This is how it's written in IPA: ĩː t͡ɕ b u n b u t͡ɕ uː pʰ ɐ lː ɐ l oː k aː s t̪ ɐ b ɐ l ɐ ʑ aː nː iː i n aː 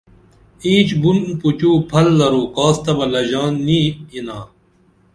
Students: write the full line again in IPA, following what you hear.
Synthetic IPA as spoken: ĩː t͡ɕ b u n p u t͡ɕ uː pʰ ɐ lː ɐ ɾ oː k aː s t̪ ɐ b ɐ l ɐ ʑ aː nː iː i n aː